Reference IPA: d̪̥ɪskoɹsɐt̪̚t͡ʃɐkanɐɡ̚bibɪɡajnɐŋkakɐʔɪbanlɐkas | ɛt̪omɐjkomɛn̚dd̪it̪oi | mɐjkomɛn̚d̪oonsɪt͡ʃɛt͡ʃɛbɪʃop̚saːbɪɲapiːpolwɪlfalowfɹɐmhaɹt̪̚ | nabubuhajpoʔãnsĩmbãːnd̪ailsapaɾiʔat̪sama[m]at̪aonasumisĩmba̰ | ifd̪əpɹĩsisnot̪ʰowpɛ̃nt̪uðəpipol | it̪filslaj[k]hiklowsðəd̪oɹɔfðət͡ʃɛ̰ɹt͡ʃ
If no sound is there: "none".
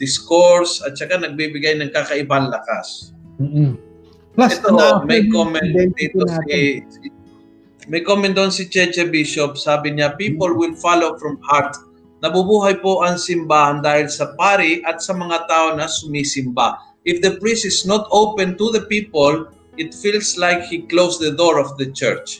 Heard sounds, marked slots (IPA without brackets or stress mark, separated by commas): ŋ, k